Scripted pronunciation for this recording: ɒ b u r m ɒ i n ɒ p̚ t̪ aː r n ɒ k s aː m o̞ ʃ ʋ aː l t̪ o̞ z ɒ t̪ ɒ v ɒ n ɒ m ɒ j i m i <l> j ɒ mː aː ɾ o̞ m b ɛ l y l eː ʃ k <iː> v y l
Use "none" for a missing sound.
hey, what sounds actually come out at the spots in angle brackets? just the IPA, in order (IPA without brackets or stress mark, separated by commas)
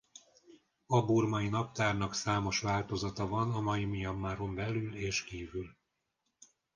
none, iː